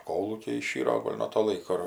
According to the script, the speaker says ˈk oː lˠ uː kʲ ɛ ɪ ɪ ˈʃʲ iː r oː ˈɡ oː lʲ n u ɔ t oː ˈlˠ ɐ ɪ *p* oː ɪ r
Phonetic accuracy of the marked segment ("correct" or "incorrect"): incorrect